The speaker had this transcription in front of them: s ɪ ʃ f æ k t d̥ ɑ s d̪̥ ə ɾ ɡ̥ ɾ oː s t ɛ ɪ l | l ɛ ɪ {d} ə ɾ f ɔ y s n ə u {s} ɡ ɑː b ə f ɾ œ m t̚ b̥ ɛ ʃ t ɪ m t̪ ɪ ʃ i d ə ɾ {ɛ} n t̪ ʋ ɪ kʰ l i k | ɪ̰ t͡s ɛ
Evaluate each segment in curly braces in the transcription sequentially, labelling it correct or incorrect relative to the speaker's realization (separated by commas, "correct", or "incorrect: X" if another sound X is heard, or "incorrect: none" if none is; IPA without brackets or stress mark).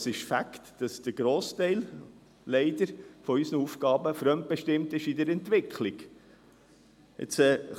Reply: correct, incorrect: f, correct